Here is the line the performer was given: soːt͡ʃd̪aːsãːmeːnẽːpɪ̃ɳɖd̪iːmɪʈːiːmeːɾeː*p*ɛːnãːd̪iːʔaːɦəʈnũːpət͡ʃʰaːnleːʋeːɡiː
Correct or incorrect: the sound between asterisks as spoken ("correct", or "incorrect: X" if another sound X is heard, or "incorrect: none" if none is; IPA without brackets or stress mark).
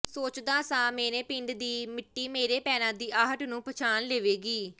correct